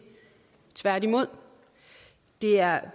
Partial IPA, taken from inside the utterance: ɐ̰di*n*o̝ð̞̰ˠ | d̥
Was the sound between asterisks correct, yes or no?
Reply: no